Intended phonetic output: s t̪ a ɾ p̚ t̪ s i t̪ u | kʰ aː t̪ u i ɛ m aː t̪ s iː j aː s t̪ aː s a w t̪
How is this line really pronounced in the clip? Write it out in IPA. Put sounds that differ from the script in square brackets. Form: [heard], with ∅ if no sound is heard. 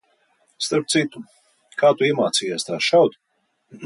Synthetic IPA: s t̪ a ɾ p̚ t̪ s i t̪ u | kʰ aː t̪ u i ɛ m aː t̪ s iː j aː s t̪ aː [ʃ] a w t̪